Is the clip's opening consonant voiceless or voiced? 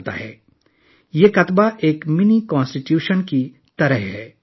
voiceless